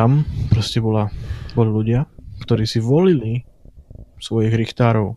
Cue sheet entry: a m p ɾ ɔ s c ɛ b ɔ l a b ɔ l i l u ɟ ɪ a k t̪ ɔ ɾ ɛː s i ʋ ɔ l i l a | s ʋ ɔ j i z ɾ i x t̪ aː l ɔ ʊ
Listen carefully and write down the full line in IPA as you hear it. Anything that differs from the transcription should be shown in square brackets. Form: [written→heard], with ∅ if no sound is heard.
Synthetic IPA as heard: a m p ɾ ɔ s c ɛ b ɔ l a b ɔ l i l u ɟ ɪ a k t̪ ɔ ɾ [ɛː→iː] s i ʋ ɔ l i l [a→i] | s ʋ ɔ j i [z→ɣ] ɾ i x t̪ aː [l→ɾ] ɔ ʊ